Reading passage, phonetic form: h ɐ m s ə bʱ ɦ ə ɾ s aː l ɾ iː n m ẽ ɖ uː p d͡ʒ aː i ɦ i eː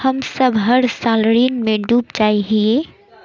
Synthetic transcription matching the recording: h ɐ m s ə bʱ ɦ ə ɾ s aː l ɾ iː n m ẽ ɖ uː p d͡ʒ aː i ɦ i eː

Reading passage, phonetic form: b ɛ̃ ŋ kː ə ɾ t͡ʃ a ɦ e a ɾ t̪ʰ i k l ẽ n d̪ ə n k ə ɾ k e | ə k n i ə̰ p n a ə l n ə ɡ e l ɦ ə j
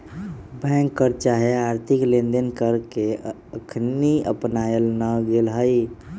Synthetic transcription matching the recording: b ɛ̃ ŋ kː ə ɾ t͡ʃ a ɦ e a ɾ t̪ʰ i k l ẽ n d̪ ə n k ə ɾ k e | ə kʰ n i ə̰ p n a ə l n ə ɡ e l ɦ ə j

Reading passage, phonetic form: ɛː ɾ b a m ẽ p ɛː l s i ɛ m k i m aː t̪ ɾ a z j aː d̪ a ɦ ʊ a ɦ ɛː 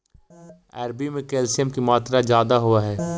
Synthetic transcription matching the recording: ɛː ɾ b i m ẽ k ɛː l s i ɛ m k i m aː t̪ ɾ a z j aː d̪ a ɦ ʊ a ɦ ɛː

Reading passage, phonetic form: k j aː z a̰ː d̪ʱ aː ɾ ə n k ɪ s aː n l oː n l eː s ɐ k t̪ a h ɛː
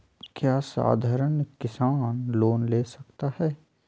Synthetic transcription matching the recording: k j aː s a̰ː d̪ʱ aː ɾ ə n k ɪ s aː n l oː n l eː s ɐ k t̪ a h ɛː

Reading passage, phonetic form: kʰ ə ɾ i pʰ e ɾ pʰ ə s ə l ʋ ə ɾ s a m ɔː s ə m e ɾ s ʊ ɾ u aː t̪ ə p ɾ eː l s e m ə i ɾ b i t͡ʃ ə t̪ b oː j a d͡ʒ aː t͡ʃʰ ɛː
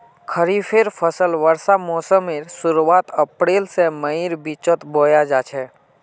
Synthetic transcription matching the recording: kʰ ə ɾ i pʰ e ɾ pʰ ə s ə l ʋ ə ɾ s a m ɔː s ə m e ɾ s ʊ ɾ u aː t̪ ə p ɾ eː l s e m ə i ɾ b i t͡ʃ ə t̪ b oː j a d͡ʒ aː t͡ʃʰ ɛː

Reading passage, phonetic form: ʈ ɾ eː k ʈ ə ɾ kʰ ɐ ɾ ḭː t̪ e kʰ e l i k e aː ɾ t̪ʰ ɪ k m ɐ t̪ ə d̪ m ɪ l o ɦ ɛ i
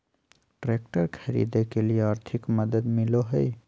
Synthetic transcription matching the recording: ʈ ɾ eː k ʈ ə ɾ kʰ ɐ ɾ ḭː d̪ e k e l i e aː ɾ t̪ʰ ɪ k m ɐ d̪ ə d̪ m ɪ l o ɦ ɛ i

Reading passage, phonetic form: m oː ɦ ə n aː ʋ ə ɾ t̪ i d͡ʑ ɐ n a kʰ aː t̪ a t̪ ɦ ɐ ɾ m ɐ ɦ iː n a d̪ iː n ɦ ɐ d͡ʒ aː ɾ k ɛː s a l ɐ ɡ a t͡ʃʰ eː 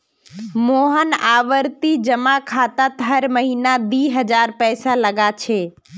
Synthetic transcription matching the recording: m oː ɦ ə n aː ʋ ə ɾ t̪ i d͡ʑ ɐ m a kʰ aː t̪ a t̪ ɦ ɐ ɾ m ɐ ɦ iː n a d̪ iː ɦ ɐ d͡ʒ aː ɾ p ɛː s a l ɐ ɡ a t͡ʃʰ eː

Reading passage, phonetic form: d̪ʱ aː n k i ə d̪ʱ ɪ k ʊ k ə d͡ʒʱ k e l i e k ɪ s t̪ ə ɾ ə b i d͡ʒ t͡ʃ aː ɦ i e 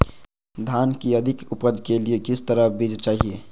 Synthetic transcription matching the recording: d̪ʱ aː n k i ə d̪ʱ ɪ k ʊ p ə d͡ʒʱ k e l i e k ɪ s t̪ ə ɾ ə b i d͡ʒ t͡ʃ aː ɦ i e

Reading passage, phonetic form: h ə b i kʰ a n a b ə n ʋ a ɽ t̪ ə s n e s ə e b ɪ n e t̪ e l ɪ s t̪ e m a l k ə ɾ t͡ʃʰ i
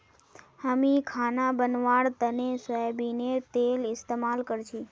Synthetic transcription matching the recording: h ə m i kʰ a n a b ə n ʋ a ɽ t̪ ə n e s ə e b i n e t̪ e l ɪ s t̪ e m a l k ə ɾ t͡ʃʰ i

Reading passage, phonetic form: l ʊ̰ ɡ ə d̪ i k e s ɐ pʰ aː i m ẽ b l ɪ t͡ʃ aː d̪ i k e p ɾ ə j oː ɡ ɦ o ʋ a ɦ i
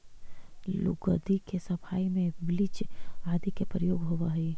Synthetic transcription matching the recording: l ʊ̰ ɡ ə d̪ i k e s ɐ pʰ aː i m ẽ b l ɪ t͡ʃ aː d̪ i k e p ɾ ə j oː ɡ ɦ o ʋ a ɦ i

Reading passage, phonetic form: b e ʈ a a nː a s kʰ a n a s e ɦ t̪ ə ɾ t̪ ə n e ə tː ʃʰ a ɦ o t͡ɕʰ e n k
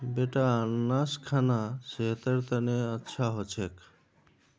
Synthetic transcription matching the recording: b e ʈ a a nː a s kʰ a n a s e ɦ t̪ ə ɾ t̪ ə n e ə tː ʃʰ a ɦ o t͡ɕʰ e k

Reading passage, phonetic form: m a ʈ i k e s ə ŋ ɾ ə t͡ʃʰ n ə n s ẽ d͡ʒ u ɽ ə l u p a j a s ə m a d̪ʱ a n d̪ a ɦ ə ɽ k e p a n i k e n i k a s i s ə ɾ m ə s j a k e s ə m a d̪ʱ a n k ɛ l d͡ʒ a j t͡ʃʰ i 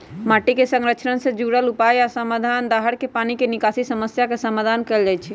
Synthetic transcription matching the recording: m a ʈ i k e s ə ŋ ɾ ə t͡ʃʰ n ə n s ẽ d͡ʒ u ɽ ə l u p a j a s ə m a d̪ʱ a n d̪ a ɦ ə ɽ k e p a n i k e n i k a s i s ə m ə s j a k e s ə m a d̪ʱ a n k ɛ l d͡ʒ a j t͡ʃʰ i

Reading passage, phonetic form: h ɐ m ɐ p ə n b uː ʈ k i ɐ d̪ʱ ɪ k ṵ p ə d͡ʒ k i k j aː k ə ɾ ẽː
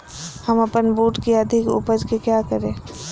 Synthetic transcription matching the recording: h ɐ m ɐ p ə n b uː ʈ k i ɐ d̪ʱ ɪ k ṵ p ə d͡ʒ k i k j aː k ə ɾ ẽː

